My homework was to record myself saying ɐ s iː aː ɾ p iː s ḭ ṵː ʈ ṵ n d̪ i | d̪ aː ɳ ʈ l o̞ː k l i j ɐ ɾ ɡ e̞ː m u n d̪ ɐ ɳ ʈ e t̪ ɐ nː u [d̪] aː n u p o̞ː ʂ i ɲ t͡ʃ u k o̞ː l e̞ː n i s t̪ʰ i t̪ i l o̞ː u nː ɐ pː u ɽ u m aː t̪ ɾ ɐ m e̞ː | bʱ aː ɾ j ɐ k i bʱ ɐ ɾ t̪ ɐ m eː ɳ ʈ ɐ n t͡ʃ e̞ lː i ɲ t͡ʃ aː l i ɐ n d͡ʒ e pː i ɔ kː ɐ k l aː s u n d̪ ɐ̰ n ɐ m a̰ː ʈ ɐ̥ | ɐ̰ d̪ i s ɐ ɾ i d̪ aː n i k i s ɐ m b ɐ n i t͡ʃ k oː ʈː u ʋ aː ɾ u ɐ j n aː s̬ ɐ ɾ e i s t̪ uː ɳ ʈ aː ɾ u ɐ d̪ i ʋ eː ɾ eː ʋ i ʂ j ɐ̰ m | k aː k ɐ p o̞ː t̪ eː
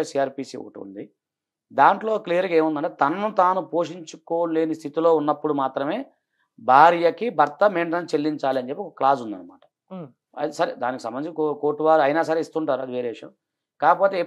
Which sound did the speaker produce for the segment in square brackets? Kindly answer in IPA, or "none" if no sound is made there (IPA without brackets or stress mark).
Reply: t̪